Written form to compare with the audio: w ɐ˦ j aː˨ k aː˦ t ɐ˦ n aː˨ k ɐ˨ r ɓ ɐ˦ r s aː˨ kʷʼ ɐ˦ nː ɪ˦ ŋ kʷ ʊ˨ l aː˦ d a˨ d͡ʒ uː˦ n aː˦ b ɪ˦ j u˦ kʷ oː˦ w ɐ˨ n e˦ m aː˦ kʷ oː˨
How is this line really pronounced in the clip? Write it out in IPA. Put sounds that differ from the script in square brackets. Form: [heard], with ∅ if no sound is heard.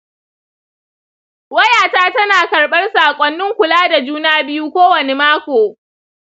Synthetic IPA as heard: w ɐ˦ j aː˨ [t] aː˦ t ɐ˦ n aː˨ k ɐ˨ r ɓ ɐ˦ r s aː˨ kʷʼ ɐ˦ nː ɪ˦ ŋ kʷ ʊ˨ l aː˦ d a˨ d͡ʒ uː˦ n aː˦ b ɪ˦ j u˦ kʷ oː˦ w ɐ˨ n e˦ m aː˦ kʷ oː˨